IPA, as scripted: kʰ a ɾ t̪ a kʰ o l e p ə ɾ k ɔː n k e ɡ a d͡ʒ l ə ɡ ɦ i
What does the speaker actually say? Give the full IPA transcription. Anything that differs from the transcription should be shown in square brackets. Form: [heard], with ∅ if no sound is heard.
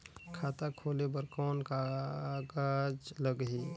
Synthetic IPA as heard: kʰ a [∅] t̪ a kʰ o l e [b] ə ɾ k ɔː n k [a] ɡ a d͡ʒ l ə ɡ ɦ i